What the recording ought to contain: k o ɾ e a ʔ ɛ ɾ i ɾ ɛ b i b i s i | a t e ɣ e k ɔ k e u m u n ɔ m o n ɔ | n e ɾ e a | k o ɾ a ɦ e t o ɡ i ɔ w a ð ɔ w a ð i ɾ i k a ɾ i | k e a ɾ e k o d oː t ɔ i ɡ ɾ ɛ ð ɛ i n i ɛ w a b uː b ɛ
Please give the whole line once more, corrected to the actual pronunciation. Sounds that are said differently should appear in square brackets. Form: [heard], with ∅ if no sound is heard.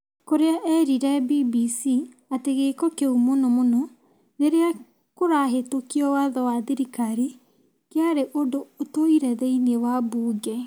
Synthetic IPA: k o ɾ e a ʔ ɛ ɾ i ɾ ɛ b i b i s i | a t e ɣ e k ɔ k e u m [o] n ɔ m o n ɔ | n e ɾ e a | k o ɾ a ɦ e t o [k] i ɔ w a ð ɔ w a ð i ɾ i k a ɾ i | k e a ɾ e [ʔ] o d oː t [o] i [∅] ɾ ɛ ð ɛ i n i [e] w a b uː [ɡ] ɛ